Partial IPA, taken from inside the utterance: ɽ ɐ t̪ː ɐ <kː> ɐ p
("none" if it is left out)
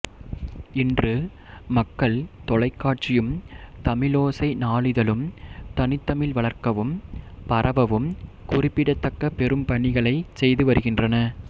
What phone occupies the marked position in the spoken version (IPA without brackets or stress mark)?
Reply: kː